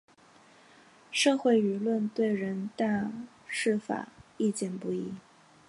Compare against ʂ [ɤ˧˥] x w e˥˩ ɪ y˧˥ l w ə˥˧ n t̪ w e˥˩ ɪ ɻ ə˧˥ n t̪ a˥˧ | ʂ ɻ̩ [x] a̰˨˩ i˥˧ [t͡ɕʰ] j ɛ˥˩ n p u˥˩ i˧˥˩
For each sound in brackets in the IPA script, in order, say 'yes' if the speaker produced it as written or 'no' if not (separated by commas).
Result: no, no, no